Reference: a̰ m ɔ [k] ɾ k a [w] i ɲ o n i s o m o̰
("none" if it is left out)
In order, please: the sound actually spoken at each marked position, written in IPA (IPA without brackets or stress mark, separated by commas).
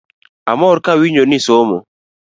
none, w